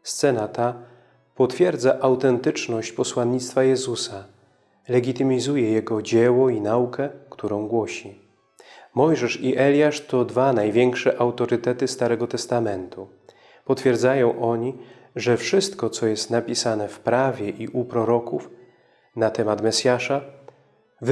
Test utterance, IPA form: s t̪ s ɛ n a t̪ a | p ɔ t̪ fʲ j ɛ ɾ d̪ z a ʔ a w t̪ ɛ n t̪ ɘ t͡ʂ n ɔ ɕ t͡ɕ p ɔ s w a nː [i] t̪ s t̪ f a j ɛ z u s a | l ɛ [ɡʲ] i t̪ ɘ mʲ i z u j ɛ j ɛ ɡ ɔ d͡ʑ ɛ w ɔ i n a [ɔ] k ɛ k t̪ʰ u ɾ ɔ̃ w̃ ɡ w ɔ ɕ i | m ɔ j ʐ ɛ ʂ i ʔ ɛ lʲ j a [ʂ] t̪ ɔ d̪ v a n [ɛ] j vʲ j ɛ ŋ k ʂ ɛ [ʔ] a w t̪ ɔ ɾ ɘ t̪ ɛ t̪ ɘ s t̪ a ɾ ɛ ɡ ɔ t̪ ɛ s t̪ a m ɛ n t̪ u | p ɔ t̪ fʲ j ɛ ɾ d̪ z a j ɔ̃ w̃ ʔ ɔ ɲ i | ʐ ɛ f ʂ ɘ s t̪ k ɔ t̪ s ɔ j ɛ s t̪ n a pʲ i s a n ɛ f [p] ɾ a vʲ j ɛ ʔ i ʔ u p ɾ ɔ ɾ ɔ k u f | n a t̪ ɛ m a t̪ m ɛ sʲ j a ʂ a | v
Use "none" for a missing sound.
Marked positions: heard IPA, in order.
i, ɡʲ, u, ʂ, a, ʔ, p

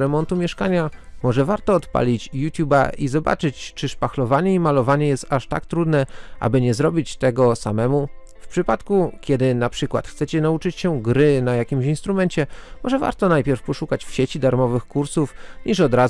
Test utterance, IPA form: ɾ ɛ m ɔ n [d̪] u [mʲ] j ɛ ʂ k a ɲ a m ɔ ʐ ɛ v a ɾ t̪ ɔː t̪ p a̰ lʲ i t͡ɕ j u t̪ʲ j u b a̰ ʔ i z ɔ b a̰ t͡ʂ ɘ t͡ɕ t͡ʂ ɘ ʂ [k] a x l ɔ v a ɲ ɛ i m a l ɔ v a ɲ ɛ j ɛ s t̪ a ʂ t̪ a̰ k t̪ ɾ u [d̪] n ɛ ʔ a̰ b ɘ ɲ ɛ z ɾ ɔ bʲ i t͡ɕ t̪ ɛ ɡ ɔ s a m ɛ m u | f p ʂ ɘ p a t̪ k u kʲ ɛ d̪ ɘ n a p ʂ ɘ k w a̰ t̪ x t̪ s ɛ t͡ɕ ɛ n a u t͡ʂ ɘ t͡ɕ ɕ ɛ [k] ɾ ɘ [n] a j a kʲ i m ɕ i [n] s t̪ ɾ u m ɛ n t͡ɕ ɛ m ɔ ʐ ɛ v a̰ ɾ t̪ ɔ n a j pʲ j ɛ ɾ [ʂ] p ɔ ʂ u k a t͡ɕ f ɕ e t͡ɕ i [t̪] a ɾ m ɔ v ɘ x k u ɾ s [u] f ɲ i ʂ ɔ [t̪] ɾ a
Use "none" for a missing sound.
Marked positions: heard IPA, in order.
t̪, mʲ, p, d̪, ɡ, n, n, f, d̪, u, d̪

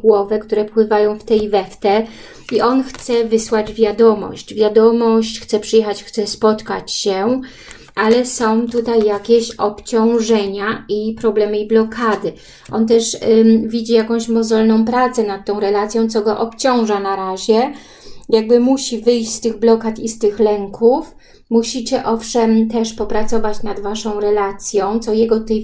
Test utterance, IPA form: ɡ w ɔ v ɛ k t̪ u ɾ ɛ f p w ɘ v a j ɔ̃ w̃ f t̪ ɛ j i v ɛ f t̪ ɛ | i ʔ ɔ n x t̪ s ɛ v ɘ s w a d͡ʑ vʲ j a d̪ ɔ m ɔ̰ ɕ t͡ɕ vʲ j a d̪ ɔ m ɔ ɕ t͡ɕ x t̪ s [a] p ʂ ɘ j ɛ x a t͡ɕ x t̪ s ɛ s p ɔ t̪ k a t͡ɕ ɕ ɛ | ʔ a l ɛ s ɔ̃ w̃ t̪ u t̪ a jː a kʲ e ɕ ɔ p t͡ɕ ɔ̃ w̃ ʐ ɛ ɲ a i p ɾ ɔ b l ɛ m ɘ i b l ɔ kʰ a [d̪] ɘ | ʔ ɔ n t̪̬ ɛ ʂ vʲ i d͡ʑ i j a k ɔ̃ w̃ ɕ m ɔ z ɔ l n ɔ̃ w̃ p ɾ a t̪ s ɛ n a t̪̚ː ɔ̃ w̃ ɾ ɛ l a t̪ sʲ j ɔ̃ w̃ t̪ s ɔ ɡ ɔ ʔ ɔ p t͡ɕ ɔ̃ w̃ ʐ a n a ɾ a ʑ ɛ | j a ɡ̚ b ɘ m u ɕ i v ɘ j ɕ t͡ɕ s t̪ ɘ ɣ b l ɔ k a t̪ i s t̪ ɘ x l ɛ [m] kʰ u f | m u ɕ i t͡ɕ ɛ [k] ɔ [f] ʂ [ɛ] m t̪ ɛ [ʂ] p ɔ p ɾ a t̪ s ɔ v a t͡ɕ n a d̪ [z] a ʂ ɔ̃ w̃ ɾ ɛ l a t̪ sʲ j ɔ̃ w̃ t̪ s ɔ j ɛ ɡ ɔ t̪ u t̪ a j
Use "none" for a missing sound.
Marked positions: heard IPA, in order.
ɛ, d̪, ŋ, ʔ, f, ɛ, ʂ, v

